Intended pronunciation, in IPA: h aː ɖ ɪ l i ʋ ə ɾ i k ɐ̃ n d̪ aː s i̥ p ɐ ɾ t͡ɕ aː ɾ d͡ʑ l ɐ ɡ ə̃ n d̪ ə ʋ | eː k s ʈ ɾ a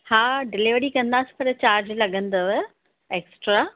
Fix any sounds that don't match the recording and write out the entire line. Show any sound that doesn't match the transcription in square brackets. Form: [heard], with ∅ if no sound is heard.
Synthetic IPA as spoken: h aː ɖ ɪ l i ʋ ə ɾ i k ɐ̃ n d̪ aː s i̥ p ɐ ɾ t͡ɕ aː ɾ d͡ʑ l ɐ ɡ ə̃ n d̪ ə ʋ | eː k s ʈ ɾ a